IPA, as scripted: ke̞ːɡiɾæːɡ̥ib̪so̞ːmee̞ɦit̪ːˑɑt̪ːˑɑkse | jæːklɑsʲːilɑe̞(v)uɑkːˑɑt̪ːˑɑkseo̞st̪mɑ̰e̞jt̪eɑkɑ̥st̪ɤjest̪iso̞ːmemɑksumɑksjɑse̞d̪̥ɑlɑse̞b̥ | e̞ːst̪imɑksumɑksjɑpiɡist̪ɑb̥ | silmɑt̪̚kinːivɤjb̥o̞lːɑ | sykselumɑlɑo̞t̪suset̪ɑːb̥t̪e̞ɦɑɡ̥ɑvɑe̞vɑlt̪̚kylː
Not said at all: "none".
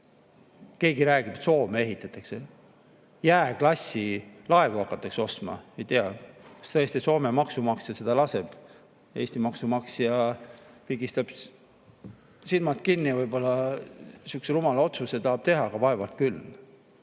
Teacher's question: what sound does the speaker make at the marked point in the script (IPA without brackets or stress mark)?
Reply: v